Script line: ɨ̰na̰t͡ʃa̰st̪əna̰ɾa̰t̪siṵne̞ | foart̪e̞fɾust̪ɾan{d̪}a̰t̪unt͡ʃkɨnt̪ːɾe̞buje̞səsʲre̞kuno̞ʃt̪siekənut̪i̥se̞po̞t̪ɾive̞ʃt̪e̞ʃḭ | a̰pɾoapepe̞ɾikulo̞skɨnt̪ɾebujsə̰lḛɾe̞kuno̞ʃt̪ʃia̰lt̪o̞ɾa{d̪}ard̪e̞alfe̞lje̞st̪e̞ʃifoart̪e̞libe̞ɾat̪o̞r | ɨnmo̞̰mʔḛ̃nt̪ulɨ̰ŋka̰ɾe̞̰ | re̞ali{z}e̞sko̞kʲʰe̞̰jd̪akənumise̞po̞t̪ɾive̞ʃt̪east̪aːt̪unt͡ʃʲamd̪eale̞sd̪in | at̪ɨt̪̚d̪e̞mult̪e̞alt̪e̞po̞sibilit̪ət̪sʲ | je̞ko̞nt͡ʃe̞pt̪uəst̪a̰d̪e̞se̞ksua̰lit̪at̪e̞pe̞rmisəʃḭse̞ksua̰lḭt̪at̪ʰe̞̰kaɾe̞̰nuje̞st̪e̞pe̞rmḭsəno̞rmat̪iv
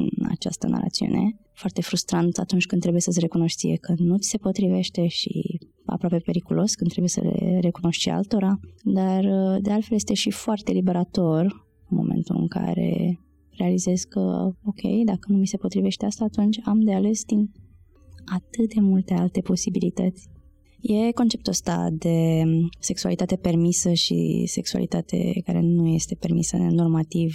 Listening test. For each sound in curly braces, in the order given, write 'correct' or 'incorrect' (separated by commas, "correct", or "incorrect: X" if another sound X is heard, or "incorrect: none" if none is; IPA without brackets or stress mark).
incorrect: t̪, correct, correct